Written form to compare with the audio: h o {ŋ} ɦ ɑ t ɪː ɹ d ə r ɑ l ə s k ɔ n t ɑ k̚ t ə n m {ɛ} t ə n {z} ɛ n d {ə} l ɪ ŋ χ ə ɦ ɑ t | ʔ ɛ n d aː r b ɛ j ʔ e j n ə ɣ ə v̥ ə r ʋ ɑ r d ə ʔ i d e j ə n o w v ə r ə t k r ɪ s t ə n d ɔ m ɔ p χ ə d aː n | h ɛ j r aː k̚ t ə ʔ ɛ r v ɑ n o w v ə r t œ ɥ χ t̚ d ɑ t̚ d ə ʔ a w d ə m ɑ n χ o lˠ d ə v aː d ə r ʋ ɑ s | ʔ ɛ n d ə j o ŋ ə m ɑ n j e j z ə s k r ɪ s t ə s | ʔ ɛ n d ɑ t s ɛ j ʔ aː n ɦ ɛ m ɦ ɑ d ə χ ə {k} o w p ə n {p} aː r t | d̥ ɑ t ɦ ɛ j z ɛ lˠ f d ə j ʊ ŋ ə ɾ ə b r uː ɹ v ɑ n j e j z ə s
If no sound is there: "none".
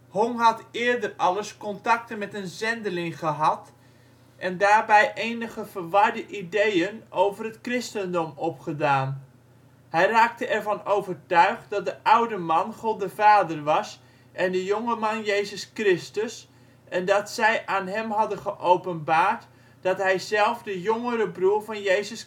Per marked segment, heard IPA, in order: ŋ, ɛ, z, ə, ʔ, b

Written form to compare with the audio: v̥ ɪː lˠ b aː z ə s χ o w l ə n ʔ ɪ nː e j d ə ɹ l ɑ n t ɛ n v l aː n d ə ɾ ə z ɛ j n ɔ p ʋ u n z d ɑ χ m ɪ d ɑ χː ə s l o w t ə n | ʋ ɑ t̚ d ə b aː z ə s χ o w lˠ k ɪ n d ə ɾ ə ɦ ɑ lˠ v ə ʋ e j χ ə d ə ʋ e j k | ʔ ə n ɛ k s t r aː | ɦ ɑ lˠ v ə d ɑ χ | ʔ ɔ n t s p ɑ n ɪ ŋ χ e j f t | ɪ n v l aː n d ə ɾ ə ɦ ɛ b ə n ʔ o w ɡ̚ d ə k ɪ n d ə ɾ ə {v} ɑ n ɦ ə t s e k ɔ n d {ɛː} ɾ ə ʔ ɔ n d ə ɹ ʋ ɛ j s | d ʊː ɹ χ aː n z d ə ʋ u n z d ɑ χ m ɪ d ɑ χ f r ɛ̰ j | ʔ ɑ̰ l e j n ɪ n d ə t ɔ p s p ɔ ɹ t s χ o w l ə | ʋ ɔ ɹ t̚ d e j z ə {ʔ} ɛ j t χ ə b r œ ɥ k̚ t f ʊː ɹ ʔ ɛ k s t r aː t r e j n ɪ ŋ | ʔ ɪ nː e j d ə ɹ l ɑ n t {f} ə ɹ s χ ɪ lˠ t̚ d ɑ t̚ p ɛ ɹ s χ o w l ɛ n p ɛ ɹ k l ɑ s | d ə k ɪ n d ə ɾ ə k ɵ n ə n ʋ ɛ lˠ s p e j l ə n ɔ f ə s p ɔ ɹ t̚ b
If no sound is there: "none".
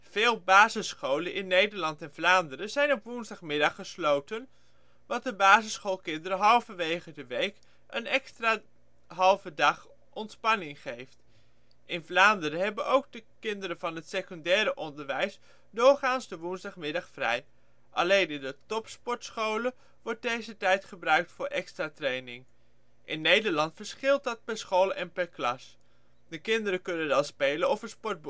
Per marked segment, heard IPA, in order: v, ɛː, t, f

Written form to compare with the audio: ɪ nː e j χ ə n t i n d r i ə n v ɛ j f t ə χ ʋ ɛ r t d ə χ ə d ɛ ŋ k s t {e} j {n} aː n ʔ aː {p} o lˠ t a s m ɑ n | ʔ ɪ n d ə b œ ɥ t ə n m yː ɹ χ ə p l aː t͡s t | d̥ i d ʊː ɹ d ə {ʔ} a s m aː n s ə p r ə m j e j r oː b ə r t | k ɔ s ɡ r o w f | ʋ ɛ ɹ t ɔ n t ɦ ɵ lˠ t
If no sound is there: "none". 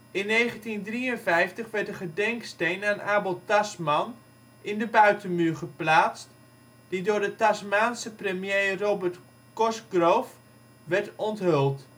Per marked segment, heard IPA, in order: e, n, b, t

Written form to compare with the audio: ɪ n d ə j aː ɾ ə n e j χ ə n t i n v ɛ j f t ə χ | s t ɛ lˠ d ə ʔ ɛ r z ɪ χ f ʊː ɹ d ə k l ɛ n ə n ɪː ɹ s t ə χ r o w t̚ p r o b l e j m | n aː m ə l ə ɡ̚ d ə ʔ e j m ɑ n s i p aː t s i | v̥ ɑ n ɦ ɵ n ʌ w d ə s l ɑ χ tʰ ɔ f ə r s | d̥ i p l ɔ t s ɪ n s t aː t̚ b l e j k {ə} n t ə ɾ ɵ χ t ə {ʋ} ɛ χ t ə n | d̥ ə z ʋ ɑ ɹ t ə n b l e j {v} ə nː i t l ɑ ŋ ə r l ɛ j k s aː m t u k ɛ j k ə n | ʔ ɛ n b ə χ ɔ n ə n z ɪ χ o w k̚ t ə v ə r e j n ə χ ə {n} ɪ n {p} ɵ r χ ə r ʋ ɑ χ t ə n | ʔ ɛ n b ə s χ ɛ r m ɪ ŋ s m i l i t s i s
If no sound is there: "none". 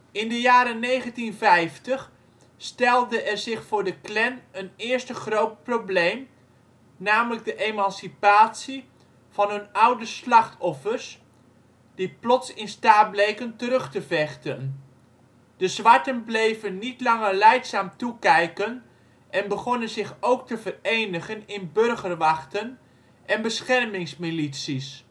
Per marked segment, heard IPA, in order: ə, v, v, n, b

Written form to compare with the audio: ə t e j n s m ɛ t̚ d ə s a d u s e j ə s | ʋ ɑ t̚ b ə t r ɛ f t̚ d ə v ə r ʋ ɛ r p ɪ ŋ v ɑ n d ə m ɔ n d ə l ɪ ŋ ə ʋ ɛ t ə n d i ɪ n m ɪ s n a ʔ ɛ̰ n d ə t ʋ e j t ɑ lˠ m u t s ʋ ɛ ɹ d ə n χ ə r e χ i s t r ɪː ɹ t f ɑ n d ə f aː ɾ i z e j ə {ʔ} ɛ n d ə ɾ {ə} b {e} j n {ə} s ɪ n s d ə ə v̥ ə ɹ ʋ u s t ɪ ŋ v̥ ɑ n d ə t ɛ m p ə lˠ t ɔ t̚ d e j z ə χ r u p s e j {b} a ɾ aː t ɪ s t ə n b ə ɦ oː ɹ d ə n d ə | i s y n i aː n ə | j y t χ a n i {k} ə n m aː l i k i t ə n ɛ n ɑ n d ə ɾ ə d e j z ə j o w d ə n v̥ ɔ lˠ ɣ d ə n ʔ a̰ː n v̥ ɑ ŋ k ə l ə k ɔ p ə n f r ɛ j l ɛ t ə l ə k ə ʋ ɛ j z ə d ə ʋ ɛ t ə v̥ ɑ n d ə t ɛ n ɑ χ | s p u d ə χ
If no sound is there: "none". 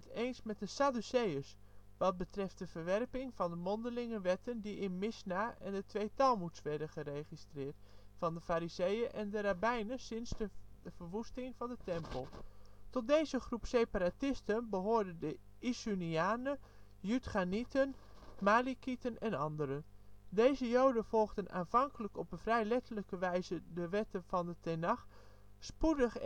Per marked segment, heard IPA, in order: ʔ, a, ɛ, ə, p, t

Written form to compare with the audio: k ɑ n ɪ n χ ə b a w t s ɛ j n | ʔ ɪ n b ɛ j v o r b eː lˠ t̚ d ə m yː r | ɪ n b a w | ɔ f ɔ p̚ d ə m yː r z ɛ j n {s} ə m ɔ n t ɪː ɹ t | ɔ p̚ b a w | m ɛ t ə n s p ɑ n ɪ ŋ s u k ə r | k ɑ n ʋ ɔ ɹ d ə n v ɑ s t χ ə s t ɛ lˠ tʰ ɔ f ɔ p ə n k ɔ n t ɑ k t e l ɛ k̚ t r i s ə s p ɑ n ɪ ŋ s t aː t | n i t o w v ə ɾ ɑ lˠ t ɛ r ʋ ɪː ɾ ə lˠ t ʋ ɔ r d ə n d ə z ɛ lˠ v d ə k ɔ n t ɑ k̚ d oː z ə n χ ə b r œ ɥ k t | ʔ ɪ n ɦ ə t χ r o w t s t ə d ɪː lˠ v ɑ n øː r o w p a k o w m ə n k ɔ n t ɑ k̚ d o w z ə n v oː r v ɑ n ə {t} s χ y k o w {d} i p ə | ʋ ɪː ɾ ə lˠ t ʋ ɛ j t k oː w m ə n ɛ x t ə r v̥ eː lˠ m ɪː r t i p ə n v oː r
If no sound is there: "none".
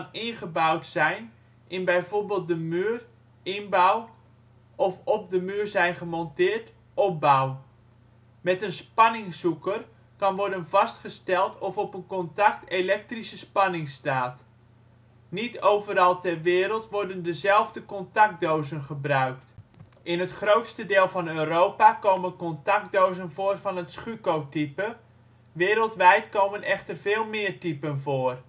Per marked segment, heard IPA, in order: χ, t, t

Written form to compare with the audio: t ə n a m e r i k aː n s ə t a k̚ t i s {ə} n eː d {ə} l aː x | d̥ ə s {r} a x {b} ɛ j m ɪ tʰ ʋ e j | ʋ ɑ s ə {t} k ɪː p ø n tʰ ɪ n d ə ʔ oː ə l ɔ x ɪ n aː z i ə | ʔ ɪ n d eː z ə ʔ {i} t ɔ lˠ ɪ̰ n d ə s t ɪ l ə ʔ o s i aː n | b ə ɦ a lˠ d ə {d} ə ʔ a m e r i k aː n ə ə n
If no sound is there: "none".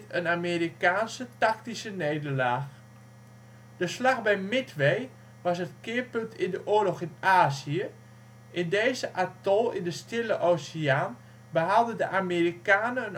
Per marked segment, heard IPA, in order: ə, ə, l, b, t, a, d

